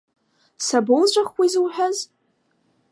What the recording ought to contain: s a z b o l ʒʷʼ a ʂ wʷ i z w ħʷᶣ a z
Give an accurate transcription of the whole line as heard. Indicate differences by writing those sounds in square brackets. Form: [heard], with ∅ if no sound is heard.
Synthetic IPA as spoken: s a [∅] b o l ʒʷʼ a [χ] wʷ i z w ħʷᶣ a z